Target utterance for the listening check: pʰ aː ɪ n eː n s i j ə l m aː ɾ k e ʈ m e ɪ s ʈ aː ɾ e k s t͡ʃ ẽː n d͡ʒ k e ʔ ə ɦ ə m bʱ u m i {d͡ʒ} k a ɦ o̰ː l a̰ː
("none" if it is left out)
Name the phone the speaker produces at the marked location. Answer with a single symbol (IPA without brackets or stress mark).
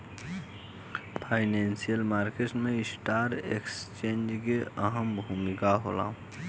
none